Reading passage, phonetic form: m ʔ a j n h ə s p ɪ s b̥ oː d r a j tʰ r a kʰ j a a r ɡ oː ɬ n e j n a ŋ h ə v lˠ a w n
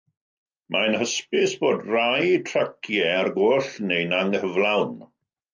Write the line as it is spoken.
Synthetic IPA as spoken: m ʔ a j n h ə s p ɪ s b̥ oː d r a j tʰ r a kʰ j ɛ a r ɡ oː ɬ n e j n a ŋ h ə v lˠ a w n